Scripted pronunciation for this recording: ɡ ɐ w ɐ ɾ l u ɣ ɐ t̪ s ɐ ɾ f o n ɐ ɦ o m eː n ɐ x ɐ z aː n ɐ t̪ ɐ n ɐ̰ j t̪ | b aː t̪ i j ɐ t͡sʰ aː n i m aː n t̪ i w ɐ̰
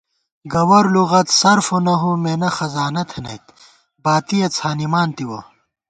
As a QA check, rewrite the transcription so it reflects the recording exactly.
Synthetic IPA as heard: ɡ ɐ w ɐ ɾ l u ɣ ɐ t̪ s ɐ ɾ f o n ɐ ɦ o m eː n ɐ x ɐ z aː n ɐ t̪ʰ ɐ n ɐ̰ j t̪ | b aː t̪ i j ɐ t͡sʰ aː n i m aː n t̪ i w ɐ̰